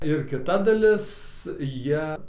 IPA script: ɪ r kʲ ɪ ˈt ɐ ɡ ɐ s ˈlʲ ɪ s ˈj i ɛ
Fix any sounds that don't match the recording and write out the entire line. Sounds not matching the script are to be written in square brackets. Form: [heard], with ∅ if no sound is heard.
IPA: ɪ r kʲ ɪ ˈt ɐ [d] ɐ [∅] ˈlʲ ɪ s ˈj i ɛ